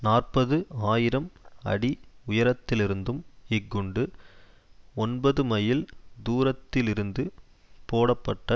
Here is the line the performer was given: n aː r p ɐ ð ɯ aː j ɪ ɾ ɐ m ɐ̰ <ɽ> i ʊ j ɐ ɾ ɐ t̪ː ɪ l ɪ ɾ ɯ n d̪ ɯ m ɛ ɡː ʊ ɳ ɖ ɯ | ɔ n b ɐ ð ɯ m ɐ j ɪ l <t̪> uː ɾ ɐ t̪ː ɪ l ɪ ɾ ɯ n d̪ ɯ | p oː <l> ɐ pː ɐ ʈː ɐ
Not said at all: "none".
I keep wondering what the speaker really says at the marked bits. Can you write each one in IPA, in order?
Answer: ɽ, d̪, ɽ

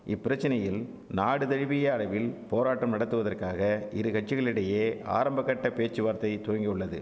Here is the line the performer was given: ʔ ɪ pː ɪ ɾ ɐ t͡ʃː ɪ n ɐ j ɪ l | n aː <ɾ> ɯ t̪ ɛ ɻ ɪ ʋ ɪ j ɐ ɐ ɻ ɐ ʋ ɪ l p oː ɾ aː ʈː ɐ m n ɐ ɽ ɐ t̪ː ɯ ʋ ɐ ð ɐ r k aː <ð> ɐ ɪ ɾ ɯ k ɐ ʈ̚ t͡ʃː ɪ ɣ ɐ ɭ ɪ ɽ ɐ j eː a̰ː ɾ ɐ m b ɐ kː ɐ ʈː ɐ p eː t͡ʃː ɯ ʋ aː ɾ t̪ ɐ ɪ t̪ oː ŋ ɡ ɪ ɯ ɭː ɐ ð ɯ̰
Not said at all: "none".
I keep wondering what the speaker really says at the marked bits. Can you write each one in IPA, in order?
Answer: ɽ, ɣ

